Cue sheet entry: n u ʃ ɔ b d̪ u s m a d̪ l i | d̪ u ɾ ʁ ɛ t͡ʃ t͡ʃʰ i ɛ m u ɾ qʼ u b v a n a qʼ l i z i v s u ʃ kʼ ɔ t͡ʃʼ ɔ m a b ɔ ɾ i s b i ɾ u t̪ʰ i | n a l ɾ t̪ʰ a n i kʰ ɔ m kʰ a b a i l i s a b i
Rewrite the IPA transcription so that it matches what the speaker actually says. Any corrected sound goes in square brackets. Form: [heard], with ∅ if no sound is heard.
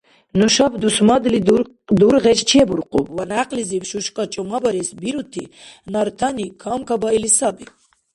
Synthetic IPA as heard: n u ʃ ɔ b d̪ u s m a d̪ l i | d̪ u ɾ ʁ ɛ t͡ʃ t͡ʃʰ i ɛ [b] u ɾ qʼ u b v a n a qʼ l i z i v [ʃ] u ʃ kʼ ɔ t͡ʃʼ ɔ m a b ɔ ɾ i s b i ɾ u t̪ʰ i | n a [∅] ɾ t̪ʰ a n i kʰ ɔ m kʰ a b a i l i s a b i